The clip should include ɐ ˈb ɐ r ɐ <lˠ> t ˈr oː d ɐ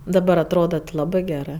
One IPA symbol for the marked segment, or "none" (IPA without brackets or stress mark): none